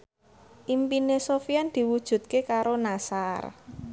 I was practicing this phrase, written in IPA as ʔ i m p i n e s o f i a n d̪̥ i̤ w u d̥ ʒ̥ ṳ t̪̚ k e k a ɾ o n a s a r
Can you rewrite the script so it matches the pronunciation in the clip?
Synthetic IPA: ʔ i m p i n e s o f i a n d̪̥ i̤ w u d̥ ʒ̥ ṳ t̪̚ k e k a ɾ o n a s a r